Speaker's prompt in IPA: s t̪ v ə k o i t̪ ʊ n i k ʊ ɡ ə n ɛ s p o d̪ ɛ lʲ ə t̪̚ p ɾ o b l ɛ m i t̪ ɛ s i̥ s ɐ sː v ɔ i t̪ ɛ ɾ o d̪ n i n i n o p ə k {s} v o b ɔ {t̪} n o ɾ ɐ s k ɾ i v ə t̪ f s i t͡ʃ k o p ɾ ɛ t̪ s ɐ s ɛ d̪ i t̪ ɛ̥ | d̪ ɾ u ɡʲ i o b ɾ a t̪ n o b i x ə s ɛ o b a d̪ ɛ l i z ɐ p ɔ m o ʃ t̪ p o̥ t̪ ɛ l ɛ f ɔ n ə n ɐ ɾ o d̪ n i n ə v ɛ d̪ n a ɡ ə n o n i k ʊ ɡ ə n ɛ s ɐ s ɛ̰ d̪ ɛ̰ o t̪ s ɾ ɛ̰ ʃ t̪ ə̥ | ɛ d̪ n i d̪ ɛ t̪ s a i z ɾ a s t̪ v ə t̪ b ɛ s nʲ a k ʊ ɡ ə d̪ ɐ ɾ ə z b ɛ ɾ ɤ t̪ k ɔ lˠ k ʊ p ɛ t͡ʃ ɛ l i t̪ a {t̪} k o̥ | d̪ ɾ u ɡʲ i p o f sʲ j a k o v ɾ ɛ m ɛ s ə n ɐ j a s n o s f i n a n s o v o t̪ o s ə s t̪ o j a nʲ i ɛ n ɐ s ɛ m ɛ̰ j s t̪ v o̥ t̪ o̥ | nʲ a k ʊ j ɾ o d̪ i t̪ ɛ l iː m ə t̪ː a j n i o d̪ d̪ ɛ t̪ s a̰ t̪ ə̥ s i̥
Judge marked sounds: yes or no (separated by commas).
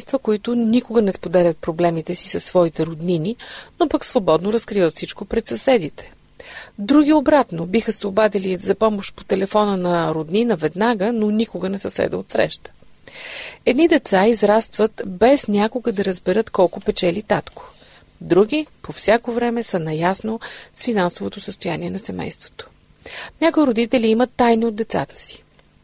yes, no, yes